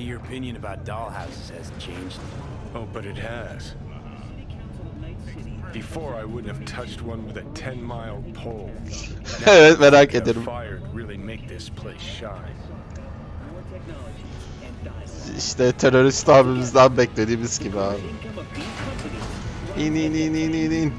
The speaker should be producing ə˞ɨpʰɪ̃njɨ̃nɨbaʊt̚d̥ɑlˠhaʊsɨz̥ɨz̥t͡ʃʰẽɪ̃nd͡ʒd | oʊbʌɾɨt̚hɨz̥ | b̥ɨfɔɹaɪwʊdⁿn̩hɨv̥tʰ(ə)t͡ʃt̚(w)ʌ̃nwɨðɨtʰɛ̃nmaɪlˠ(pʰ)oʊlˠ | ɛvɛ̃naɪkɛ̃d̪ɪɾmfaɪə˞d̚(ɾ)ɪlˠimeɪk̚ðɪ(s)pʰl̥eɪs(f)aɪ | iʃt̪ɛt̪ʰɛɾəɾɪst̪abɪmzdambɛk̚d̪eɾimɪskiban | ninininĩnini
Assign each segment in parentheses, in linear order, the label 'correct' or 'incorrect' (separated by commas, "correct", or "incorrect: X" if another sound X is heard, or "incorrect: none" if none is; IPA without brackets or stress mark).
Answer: incorrect: ʌ, correct, correct, incorrect: ɹ, correct, incorrect: ʃ